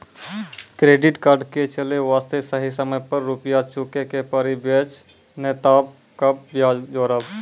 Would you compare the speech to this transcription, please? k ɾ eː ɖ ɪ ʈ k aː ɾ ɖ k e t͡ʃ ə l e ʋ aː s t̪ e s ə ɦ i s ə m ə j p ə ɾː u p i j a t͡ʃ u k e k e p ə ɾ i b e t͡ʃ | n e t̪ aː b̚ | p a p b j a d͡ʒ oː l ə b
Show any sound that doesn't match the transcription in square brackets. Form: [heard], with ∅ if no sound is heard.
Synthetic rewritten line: k ɾ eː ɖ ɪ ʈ k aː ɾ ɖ k e t͡ʃ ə l e ʋ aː s t̪ e s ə ɦ i s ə m ə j p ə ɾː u p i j a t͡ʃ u k e k e p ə ɾ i b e t͡ʃ | n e t̪ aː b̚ | [k] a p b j a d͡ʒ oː [ɾ] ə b

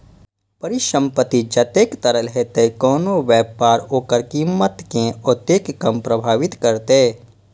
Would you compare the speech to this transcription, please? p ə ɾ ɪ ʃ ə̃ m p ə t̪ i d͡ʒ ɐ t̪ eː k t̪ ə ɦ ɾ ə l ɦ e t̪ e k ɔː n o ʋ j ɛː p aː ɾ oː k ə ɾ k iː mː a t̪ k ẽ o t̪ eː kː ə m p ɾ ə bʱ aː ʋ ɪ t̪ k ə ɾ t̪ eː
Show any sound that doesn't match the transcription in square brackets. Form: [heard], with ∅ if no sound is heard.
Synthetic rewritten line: p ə ɾ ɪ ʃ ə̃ m p ə t̪ i d͡ʒ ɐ t̪ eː k t̪ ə [∅] ɾ ə l ɦ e t̪ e k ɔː n o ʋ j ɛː p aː ɾ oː k ə ɾ k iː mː [ə] t̪ k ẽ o t̪ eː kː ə m p ɾ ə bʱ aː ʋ ɪ t̪ k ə ɾ t̪ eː

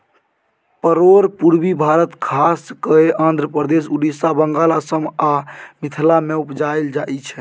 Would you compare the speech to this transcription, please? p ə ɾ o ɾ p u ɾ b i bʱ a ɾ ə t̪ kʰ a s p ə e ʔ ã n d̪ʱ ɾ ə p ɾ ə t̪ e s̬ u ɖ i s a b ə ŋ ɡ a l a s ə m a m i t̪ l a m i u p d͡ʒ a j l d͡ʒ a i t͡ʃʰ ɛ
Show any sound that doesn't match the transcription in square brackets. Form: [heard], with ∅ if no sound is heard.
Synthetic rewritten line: p ə ɾ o ɾ p u ɾ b i bʱ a ɾ ə t̪ kʰ a s [k] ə e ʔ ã n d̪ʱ ɾ ə p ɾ ə [d̪] e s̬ u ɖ i s a b ə ŋ ɡ a l a s ə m a m i [t̪ʰ] l a m [e] u p d͡ʒ a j l d͡ʒ a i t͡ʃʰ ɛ

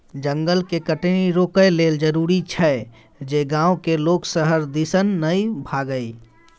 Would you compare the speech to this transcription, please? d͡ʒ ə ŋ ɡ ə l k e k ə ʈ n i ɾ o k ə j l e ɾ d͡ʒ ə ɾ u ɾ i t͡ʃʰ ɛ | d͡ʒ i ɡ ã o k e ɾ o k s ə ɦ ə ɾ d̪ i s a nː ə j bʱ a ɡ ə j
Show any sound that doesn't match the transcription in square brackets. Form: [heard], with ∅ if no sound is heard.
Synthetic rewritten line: d͡ʒ ə ŋ ɡ ə l k e k ə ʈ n i ɾ o k ə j l e [l] d͡ʒ ə ɾ u ɾ i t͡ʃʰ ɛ | d͡ʒ [e] ɡ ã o k e [l] o k s ə ɦ ə ɾ d̪ i s [ə] nː ə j bʱ a ɡ ə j

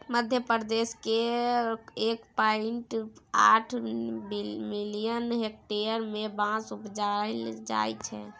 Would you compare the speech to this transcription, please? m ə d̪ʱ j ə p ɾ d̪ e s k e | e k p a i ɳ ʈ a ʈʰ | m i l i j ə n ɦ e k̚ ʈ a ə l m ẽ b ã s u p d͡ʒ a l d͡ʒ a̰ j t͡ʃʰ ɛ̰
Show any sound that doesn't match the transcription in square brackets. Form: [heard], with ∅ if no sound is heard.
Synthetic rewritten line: m ə d̪ʱ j ə p ɾ d̪ e s k e | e k p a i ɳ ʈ a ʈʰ | m i l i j ə n ɦ e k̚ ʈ [e] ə [ɾ] m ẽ b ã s u p d͡ʒ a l d͡ʒ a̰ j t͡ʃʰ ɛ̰

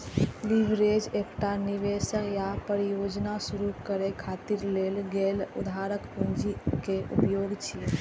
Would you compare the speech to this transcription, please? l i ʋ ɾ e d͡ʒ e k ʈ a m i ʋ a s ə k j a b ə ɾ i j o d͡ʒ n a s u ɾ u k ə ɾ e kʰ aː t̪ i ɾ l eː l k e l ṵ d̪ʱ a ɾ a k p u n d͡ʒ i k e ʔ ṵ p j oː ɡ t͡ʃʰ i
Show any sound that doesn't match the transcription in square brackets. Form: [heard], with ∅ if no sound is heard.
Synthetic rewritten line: l i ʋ ɾ e d͡ʒ e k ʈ a [n] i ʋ [e] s ə k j a [p] ə ɾ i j o d͡ʒ n a s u ɾ u k ə ɾ e kʰ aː t̪ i ɾ l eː l [ɡ] e l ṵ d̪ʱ a ɾ [ə] k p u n d͡ʒ i k e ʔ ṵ p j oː ɡ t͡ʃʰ i

